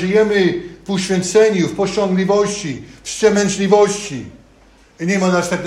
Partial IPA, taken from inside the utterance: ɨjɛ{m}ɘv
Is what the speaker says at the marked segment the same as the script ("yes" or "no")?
yes